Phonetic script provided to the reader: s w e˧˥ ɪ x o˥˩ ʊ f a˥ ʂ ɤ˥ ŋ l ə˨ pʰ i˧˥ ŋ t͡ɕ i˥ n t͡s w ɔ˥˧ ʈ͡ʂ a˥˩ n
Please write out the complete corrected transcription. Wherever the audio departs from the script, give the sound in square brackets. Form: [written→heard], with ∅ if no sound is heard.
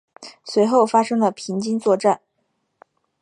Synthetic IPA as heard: s w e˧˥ ɪ x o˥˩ ʊ f a˥ ʂ ɤ˥ ŋ l ə˨ pʰ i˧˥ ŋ t͡ɕ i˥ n t͡s w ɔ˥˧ ʈ͡ʂ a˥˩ n